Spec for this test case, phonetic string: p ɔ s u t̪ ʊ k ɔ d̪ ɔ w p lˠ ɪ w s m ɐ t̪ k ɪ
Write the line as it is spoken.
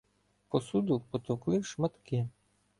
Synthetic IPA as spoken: p ɔ s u d̪ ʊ p ɔ t̪ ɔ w k lˠ ɪ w ʃ m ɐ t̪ k ɪ